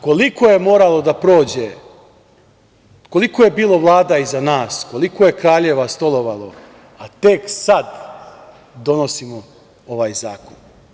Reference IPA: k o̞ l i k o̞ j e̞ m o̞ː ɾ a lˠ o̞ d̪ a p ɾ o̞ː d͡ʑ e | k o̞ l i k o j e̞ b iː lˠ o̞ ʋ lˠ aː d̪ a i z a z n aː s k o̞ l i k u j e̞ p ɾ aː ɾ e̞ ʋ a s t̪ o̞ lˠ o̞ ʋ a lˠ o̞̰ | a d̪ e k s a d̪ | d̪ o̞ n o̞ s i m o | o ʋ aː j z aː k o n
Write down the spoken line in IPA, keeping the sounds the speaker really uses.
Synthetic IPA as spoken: k o̞ l i k o̞ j e̞ m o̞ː ɾ a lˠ o̞ d̪ a p ɾ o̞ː d͡ʑ e | k o̞ l i k o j e̞ b iː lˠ o̞ ʋ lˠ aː d̪ a i z a n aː s k o̞ l i k o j e̞ k ɾ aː ʎ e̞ ʋ a s t̪ o̞ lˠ o̞ ʋ a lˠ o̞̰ | a t̪ e k s a d̪ | d̪ o̞ n o̞ s i m o | o ʋ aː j z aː k o n